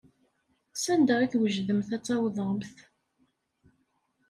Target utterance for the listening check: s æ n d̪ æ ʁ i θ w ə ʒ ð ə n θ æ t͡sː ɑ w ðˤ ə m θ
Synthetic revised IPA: s æ n d̪ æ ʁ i θ w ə ʒ ð ə m θ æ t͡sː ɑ w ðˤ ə m θ